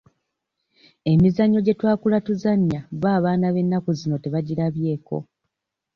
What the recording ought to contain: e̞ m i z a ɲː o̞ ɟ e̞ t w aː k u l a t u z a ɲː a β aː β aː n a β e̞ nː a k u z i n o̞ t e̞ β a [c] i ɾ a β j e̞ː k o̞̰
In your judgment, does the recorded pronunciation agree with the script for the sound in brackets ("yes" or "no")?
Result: no